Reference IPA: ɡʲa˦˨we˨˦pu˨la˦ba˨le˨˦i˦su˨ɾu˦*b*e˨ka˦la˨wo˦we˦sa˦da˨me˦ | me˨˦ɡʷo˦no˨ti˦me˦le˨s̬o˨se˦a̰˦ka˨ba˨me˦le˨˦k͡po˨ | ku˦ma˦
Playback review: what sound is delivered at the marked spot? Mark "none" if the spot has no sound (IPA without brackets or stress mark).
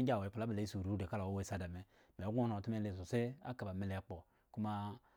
d